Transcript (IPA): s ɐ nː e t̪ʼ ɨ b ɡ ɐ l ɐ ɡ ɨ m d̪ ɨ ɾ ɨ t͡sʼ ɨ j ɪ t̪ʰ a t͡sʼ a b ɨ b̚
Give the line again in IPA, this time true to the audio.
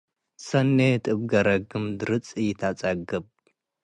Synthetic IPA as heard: s ɐ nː e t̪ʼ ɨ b ɡ ɐ ɾ ɐ ɡ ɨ m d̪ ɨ ɾ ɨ t͡sʼ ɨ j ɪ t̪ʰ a t͡sʼ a ɡ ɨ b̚